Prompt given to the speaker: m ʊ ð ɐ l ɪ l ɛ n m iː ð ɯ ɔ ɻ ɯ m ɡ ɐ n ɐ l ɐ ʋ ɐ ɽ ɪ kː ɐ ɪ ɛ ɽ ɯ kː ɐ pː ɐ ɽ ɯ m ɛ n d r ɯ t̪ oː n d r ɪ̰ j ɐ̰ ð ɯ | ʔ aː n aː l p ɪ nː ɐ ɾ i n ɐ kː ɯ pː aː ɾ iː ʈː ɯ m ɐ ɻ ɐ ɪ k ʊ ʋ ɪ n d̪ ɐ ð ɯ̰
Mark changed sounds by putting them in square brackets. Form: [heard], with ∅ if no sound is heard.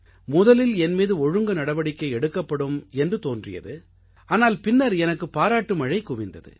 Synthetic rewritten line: m ʊ ð ɐ l ɪ l ɛ n m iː ð ɯ ɔ ɻ ɯ [ŋ] ɡ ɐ n ɐ [ɽ] ɐ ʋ ɐ ɽ ɪ kː ɐ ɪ ɛ ɽ ɯ kː ɐ pː ɐ ɽ ɯ m ɛ n d r ɯ t̪ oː n d r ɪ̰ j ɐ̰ ð ɯ | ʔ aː n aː l p ɪ nː ɐ ɾ [ɛ] n ɐ kː ɯ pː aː ɾ [aː] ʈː ɯ m ɐ ɻ ɐ ɪ k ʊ ʋ ɪ n d̪ ɐ ð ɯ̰